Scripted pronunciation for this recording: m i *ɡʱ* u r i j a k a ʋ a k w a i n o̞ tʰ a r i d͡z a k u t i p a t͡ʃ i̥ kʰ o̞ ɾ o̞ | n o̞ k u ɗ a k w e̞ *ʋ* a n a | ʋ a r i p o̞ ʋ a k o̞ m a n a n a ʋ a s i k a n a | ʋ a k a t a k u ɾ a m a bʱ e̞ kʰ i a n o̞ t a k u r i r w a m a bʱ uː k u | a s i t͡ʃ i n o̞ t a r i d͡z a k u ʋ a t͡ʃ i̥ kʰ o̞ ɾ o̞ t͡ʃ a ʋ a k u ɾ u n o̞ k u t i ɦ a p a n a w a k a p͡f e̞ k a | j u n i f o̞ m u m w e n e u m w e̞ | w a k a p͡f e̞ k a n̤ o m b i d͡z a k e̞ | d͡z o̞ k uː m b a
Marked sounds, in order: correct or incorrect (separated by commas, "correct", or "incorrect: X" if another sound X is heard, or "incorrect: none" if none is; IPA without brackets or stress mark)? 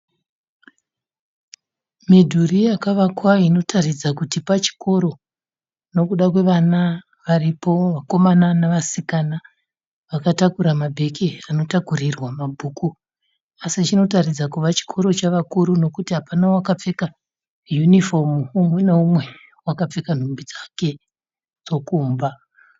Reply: incorrect: dʱ, correct